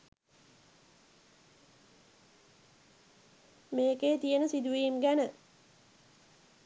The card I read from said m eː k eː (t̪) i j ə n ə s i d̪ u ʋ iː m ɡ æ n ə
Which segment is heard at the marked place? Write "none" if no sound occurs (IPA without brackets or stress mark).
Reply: t̪